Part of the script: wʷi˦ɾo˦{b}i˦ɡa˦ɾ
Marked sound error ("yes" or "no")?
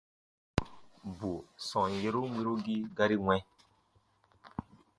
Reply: yes